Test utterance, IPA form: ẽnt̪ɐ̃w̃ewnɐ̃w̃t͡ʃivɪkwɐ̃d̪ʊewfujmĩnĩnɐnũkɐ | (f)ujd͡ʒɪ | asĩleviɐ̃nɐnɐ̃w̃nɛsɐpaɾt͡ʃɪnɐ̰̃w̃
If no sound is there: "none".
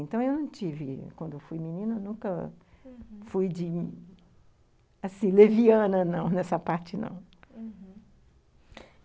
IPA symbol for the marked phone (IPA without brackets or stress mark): f